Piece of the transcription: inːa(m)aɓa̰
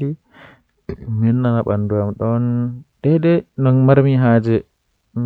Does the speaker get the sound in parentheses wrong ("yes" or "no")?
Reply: yes